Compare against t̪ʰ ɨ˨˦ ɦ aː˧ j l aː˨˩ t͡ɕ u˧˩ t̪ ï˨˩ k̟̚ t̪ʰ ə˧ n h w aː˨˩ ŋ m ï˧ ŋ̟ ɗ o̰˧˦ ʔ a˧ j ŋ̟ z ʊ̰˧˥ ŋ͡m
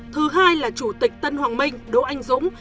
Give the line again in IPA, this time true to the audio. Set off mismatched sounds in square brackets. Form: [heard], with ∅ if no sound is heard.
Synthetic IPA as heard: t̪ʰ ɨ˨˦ ɦ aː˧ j l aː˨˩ t͡ɕ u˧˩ t̪ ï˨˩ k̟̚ [t̪] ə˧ n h w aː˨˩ ŋ m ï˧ ŋ̟ ɗ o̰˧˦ ʔ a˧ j ŋ̟ z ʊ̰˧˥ ŋ͡m

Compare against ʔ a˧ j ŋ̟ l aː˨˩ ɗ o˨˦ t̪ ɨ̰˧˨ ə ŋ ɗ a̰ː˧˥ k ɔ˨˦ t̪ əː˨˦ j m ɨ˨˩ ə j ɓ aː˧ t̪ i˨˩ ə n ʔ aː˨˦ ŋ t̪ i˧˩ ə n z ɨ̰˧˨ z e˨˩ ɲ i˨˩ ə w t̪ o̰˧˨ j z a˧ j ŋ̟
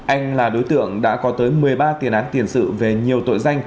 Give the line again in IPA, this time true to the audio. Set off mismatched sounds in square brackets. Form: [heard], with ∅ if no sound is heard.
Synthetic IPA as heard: ʔ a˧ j ŋ̟ l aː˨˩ ɗ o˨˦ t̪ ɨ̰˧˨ ə ŋ ɗ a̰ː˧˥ k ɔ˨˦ t̪ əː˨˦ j m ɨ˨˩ ə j ɓ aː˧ t̪ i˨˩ ə n ʔ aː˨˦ [n] t̪ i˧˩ ə n [s] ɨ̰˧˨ [v] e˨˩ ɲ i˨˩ ə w t̪ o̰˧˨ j z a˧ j ŋ̟

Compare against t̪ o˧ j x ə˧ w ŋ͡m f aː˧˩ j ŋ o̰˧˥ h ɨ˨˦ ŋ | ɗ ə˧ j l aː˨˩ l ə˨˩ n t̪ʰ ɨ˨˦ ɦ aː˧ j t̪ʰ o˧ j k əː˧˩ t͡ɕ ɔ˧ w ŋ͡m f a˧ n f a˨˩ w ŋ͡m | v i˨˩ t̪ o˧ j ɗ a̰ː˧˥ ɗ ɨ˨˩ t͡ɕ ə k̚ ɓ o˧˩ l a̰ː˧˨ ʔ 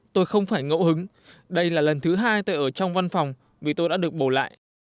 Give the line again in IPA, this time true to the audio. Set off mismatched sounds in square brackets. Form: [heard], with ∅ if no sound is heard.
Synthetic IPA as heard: t̪ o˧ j x ə˧ w ŋ͡m f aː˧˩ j ŋ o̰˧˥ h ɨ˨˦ ŋ | ɗ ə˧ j l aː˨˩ l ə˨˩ n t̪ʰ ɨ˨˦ ɦ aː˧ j [t̪] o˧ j [ʔ] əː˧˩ t͡ɕ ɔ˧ w ŋ͡m [v] a˧ n f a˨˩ w ŋ͡m | v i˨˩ t̪ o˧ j ɗ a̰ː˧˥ ɗ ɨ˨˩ [∅] ə k̚ ɓ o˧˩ l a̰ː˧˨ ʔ

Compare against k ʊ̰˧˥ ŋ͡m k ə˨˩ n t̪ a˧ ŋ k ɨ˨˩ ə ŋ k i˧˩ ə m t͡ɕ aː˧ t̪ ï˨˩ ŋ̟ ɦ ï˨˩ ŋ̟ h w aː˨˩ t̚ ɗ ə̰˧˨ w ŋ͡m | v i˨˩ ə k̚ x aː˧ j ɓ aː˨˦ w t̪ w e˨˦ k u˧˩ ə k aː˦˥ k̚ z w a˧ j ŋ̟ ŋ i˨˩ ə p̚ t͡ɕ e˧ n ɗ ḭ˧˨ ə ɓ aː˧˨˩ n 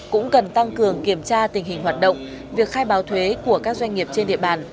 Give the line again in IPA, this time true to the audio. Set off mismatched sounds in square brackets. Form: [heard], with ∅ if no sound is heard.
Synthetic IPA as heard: k ʊ̰˧˥ ŋ͡m k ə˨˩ n t̪ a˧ ŋ k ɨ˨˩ ə ŋ k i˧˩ ə m t͡ɕ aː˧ t̪ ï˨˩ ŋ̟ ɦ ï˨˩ ŋ̟ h w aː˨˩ t̚ ɗ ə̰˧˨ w ŋ͡m | v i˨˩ ə k̚ x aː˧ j ɓ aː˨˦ w [t̪ʰ] w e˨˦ k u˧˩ ə k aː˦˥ k̚ z w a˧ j ŋ̟ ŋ i˨˩ ə p̚ t͡ɕ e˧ n ɗ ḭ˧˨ ə ɓ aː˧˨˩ n

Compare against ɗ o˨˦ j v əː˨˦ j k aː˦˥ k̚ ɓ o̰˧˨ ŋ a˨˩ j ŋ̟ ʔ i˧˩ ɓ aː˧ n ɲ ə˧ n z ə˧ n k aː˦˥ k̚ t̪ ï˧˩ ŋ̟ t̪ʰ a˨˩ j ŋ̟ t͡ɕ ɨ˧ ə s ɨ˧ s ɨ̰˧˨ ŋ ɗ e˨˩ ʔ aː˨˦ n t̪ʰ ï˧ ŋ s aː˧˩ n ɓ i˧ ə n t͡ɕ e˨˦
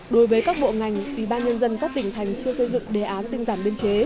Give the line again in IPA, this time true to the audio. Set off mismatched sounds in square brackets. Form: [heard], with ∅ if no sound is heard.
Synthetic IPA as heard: ɗ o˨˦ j v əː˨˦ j k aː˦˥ k̚ ɓ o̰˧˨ ŋ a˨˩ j ŋ̟ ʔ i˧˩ ɓ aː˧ n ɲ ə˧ n z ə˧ n k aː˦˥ k̚ t̪ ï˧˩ ŋ̟ t̪ʰ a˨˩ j ŋ̟ t͡ɕ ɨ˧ ə s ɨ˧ [z] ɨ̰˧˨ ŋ ɗ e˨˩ ʔ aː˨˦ n [t̪] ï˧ ŋ [z] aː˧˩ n ɓ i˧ ə n t͡ɕ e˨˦

